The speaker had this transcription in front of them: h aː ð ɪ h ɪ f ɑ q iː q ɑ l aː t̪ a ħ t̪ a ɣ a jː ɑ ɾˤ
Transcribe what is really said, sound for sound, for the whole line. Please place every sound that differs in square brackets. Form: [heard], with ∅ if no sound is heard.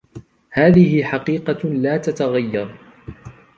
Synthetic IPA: h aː ð ɪ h ɪ [ħ] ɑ q iː q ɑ l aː t̪ a [∅] t̪ a ɣ a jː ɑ ɾˤ